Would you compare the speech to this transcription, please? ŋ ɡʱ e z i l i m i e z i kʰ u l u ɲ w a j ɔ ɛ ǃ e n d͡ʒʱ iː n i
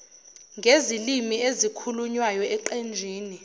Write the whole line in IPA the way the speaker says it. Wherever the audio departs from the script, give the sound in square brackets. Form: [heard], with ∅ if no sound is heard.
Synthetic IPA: ŋ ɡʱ e z i l i m i e z i kʰ u l u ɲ w a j ɔ ɛ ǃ e n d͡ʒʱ iː n i